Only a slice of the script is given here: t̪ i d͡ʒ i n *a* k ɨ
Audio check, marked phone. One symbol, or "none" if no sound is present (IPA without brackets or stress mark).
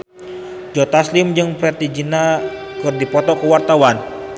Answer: a